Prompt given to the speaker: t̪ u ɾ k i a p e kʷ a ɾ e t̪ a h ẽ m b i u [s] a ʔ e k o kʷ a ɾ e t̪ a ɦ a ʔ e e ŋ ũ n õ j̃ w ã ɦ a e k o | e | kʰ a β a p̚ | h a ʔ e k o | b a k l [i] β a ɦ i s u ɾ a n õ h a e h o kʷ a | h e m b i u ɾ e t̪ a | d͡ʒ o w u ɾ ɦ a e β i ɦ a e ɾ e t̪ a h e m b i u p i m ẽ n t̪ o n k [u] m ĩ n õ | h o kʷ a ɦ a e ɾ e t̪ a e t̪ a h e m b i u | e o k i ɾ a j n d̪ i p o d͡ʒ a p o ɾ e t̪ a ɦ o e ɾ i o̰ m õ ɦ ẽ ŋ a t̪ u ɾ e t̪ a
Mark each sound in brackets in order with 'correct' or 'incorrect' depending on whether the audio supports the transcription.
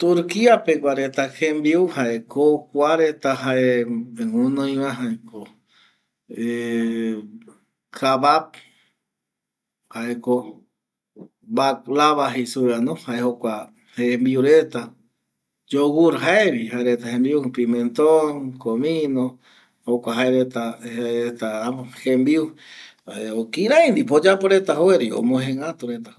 incorrect, incorrect, incorrect

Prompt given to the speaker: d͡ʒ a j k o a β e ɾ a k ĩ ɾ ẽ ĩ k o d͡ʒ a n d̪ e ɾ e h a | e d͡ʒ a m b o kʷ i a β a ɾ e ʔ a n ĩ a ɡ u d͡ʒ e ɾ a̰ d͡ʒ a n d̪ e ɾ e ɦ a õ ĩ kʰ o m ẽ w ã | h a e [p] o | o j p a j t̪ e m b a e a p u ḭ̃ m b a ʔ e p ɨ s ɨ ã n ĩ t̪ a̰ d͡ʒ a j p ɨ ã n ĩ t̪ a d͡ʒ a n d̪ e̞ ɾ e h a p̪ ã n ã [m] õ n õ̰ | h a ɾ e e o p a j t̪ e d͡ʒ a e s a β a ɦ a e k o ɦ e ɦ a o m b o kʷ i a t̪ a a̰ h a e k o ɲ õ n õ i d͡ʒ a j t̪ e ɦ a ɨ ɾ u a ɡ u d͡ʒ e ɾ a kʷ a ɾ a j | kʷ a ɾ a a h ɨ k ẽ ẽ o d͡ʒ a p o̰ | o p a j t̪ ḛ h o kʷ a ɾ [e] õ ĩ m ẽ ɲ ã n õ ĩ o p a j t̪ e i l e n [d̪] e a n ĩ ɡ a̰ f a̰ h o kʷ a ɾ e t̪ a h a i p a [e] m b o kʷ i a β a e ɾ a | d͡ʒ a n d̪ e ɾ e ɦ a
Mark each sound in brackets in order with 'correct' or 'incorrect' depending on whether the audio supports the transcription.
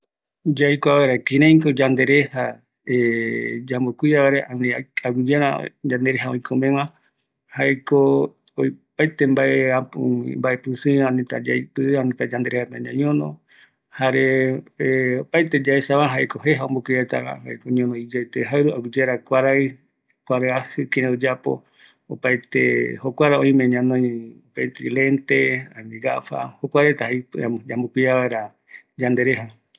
incorrect, incorrect, incorrect, incorrect, incorrect

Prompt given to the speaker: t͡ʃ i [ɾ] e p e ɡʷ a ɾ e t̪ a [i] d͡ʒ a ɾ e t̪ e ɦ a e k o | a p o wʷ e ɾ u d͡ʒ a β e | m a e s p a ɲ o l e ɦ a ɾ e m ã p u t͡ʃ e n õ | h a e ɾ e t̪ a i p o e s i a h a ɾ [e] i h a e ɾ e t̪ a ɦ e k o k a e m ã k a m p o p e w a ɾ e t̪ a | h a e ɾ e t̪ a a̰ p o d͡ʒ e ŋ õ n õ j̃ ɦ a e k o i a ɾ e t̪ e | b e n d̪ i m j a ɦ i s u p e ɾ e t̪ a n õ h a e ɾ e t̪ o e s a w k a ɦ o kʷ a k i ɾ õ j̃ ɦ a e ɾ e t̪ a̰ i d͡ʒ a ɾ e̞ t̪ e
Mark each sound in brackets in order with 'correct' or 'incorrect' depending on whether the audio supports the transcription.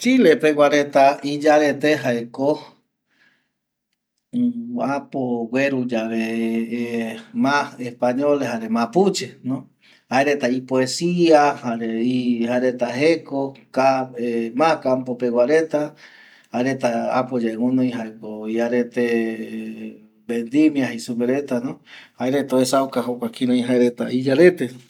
incorrect, correct, correct

